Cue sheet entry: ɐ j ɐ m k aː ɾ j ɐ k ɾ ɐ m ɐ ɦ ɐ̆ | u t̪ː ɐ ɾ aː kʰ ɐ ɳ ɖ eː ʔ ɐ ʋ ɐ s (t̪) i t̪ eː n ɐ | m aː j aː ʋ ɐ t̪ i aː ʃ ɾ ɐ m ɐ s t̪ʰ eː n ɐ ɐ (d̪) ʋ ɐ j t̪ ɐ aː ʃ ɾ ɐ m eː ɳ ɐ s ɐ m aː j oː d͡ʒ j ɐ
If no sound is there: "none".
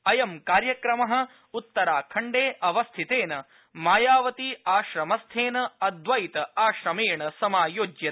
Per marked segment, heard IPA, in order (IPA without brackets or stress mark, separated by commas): t̪ʰ, d̪